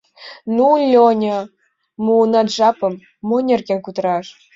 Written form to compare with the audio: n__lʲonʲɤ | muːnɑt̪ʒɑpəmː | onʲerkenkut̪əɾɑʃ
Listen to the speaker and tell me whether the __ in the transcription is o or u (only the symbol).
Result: u